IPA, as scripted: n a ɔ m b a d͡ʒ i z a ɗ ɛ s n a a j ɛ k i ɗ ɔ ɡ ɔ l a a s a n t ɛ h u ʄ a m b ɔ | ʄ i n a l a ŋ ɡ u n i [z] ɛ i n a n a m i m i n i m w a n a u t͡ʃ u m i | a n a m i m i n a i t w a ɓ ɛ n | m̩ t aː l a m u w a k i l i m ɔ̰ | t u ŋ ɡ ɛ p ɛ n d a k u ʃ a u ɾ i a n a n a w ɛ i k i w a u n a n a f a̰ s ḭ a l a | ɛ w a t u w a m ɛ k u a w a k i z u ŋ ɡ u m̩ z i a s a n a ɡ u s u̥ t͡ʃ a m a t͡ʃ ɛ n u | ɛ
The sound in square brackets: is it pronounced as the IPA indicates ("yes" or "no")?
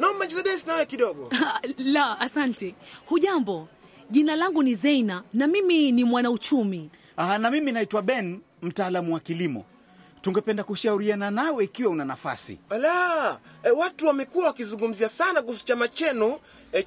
yes